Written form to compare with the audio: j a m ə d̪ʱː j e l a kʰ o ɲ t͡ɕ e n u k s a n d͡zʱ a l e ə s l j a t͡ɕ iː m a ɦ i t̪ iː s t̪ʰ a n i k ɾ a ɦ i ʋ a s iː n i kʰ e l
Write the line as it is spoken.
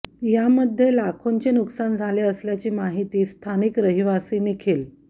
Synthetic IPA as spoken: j a m ə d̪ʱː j e l a kʰ o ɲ t͡ɕ e n u k s a n d͡zʱ a l e ə s l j a t͡ɕ iː m a ɦ i t̪ iː s t̪ʰ a n i k ɾ ə ɦ i ʋ a s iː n i kʰ e l